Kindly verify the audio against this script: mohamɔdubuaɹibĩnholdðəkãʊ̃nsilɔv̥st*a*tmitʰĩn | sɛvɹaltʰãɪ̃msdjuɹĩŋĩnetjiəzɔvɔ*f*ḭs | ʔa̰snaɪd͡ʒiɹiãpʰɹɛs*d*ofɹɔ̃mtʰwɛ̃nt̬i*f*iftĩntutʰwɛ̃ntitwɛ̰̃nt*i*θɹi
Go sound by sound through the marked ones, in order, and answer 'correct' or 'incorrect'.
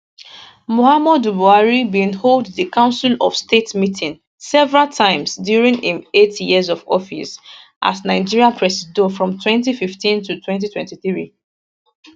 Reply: incorrect: e, correct, correct, correct, correct

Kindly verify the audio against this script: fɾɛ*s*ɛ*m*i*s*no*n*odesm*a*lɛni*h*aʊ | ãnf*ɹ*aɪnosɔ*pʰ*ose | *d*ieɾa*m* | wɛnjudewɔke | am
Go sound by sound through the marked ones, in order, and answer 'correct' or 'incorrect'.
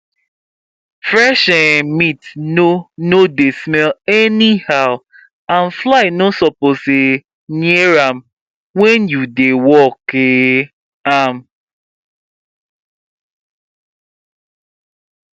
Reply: incorrect: ʃ, correct, incorrect: t, correct, incorrect: ɛ, correct, incorrect: l, incorrect: p, incorrect: n, correct

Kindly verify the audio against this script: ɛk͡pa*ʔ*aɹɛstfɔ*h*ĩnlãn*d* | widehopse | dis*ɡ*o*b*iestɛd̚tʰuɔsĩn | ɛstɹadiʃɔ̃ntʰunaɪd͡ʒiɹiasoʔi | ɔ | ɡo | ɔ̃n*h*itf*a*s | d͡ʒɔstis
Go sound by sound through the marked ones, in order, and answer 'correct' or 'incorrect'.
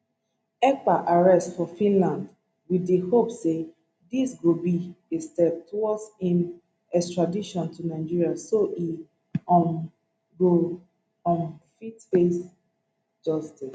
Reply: correct, incorrect: f, correct, correct, correct, incorrect: f, incorrect: e

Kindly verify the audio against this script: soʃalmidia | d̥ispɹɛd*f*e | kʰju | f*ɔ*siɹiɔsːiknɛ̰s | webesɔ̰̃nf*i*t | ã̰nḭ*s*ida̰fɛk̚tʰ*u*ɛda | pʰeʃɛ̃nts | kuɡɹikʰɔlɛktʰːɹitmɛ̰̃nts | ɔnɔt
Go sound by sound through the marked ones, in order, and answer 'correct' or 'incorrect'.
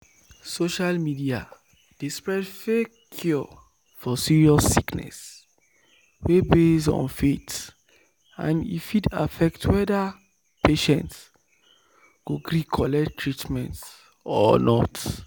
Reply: correct, correct, incorrect: e, incorrect: f, incorrect: w

